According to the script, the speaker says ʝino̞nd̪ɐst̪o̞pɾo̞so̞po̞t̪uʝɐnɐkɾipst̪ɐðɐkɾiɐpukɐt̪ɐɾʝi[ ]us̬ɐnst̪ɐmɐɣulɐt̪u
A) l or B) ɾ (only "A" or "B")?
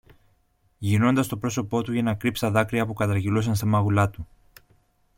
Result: A